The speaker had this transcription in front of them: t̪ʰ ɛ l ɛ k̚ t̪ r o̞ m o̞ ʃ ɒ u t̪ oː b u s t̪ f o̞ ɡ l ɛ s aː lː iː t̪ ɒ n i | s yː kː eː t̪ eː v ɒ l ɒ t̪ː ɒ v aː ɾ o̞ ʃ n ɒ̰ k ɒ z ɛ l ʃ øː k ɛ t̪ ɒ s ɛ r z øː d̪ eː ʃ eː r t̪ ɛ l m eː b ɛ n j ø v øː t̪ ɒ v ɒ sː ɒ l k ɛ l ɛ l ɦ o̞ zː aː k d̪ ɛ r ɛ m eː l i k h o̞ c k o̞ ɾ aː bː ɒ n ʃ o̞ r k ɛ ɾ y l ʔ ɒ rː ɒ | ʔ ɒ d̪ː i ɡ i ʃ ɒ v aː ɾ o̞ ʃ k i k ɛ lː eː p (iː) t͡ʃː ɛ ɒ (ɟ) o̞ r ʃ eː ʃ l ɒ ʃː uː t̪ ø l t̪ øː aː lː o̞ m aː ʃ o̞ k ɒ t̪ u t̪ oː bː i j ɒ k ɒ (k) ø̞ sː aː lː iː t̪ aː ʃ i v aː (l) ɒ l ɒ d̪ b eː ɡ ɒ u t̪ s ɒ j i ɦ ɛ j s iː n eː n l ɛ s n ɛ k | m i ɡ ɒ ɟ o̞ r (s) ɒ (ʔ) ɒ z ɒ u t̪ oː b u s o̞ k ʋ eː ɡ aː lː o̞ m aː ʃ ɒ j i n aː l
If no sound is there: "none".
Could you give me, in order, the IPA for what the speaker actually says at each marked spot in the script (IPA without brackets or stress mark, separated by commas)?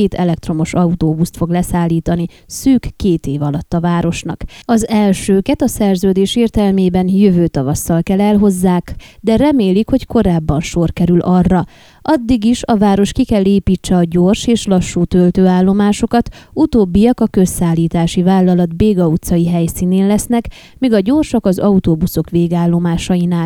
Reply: iː, ɟ, k, lː, ʃ, k